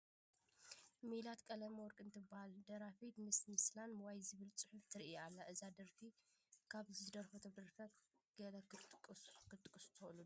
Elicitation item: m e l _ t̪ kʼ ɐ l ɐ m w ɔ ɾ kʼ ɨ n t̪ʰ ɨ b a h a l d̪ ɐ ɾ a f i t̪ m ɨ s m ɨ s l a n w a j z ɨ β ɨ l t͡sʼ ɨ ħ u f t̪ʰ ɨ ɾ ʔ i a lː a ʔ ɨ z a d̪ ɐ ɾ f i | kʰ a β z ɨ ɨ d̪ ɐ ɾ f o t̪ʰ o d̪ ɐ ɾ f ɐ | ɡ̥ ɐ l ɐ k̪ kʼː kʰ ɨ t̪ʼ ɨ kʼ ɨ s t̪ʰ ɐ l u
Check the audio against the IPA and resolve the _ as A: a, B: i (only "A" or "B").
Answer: A